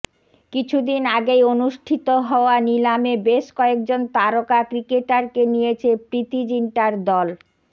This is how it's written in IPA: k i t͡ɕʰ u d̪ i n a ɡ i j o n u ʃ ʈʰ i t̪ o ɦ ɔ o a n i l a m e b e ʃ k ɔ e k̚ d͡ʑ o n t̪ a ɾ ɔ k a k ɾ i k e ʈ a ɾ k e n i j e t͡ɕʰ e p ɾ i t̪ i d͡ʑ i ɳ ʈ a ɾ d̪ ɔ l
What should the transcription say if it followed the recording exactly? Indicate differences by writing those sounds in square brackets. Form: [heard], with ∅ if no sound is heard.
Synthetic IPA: k i t͡ɕʰ u d̪ i n a ɡ [e] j o n u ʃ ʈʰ i t̪ o ɦ ɔ o a n i l a m e b e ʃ k ɔ e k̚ d͡ʑ o n t̪ a ɾ [o] k a k ɾ i k e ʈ a ɾ k e n i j e t͡ɕʰ e p ɾ i t̪ i d͡ʑ i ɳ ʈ a ɾ d̪ ɔ l